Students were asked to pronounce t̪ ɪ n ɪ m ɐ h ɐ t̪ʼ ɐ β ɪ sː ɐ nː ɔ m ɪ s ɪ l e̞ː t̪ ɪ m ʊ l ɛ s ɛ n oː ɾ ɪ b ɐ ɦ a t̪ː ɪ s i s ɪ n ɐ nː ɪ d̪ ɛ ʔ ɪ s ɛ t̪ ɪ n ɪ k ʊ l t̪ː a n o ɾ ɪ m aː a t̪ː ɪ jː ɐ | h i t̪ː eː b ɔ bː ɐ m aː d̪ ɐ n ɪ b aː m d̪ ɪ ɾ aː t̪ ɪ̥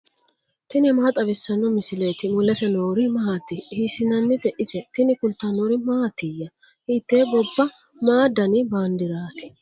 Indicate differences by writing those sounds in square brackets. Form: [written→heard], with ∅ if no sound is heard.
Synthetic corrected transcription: t̪ ɪ n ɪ m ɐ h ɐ t̪ʼ ɐ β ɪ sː ɐ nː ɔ m ɪ s ɪ l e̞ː t̪ ɪ m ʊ l ɛ s ɛ n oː ɾ ɪ [b→m] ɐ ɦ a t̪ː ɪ [s→h] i s ɪ n ɐ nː ɪ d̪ ɛ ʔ ɪ s ɛ t̪ ɪ n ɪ k ʊ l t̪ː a n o ɾ ɪ m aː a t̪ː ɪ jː ɐ | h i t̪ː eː b ɔ bː ɐ m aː d̪ ɐ n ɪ b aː [m→n] d̪ ɪ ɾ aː t̪ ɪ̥